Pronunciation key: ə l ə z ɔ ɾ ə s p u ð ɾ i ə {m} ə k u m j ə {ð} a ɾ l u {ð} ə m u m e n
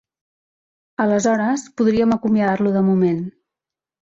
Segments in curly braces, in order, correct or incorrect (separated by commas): correct, correct, correct